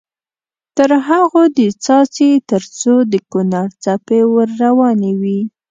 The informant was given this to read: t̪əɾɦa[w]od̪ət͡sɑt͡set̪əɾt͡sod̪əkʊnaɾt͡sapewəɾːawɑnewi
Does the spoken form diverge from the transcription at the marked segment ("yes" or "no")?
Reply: yes